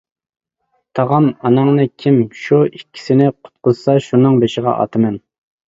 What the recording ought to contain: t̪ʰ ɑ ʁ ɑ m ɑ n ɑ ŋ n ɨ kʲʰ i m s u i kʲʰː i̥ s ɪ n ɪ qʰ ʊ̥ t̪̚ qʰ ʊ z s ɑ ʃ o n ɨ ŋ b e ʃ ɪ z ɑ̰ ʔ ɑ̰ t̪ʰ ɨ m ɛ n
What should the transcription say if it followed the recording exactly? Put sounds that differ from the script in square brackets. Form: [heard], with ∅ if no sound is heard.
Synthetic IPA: t̪ʰ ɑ ʁ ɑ m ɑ n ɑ ŋ n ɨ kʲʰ i m [ʃ] u i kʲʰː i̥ s ɪ n ɪ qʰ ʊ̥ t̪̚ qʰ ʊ z s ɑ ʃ [u] n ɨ ŋ b e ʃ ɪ [ʁ] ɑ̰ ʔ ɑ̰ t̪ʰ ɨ m ɛ n